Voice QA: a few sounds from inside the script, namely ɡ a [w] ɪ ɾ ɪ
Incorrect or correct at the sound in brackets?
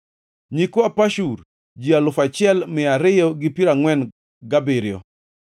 incorrect: b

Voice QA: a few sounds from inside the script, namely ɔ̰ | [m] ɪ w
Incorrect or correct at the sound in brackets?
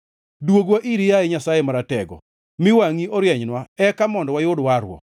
correct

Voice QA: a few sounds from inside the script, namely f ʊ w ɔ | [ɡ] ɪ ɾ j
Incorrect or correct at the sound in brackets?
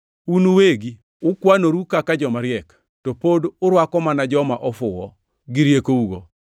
correct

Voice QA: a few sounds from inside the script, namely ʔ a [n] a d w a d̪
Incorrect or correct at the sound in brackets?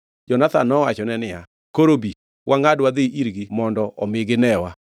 incorrect: ŋ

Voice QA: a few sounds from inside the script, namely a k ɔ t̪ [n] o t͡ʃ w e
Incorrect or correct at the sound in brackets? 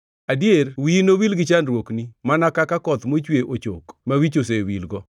incorrect: m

